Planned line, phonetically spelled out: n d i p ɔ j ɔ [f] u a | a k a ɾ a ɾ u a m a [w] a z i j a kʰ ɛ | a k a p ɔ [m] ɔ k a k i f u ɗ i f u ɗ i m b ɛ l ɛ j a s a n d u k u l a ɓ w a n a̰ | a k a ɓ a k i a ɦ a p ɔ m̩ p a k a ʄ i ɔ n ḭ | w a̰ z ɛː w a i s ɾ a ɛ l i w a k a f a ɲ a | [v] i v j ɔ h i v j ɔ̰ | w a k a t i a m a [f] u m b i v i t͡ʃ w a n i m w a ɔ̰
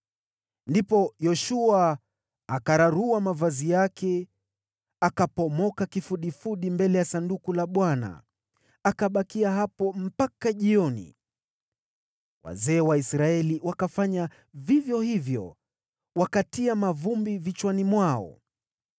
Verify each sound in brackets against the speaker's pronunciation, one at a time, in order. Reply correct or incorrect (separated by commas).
incorrect, incorrect, correct, correct, incorrect